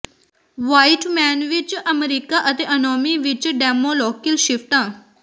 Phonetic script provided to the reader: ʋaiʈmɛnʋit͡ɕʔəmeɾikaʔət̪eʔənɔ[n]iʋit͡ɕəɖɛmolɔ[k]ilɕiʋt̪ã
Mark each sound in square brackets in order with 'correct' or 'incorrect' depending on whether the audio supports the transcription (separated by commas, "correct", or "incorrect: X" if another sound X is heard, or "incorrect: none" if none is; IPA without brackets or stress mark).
incorrect: m, correct